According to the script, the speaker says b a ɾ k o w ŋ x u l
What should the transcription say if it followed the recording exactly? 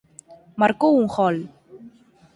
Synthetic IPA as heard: m a ɾ k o u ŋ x ɔ l